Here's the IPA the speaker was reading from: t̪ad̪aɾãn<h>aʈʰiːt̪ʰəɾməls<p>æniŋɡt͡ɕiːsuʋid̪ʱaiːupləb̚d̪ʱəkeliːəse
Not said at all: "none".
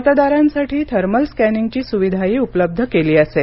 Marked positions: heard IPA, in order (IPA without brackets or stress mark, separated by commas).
s, k